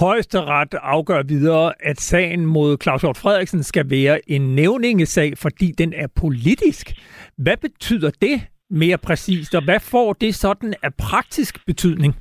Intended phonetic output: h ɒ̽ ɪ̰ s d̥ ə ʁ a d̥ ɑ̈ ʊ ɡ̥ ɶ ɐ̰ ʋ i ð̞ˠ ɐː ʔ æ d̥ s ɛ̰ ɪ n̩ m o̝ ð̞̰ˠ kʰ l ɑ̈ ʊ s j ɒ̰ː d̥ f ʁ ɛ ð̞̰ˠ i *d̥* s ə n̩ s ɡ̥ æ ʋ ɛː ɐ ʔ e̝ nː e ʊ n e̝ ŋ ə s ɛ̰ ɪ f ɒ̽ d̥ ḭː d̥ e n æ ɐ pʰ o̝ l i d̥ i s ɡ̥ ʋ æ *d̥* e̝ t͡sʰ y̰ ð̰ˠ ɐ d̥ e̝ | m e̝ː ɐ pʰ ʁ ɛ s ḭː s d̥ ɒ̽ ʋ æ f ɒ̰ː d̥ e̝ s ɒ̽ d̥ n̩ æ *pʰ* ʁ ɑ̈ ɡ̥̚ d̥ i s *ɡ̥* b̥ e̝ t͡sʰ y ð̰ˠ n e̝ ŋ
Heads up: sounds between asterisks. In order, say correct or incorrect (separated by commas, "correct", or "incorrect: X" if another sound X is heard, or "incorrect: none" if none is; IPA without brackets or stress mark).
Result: incorrect: ɡ̥, incorrect: b̥, correct, correct